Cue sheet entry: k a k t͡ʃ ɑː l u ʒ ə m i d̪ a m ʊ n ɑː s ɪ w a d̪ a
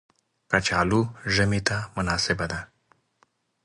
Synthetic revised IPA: k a t͡ʃ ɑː l u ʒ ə m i t̪ a m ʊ n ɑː s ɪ b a d̪ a